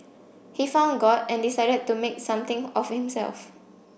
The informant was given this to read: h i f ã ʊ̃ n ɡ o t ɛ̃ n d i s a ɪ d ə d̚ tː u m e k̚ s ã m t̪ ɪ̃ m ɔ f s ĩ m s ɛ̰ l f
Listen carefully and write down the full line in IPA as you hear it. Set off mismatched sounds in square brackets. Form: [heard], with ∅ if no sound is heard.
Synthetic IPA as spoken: h i f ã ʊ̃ n ɡ [ɔ] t ɛ̃ n d i s a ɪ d ə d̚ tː u m e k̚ s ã m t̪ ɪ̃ [ŋ] ɔ f [h] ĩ m s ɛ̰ l f